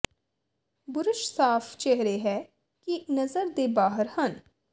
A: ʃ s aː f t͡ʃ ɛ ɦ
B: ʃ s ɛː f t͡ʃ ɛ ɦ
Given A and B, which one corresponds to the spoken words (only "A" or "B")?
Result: A